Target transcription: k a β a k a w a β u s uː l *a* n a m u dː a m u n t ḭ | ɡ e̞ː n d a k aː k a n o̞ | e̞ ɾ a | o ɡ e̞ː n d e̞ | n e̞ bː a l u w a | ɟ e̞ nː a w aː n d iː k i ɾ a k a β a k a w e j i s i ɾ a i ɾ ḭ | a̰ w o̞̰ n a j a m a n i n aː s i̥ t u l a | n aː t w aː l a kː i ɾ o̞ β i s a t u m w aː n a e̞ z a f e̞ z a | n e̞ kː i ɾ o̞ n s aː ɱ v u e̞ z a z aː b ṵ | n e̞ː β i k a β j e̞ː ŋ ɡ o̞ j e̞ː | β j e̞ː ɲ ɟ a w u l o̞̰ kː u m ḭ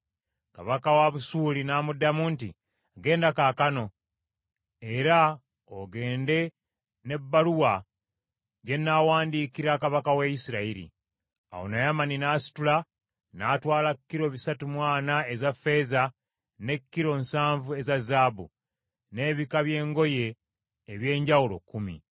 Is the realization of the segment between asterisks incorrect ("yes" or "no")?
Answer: yes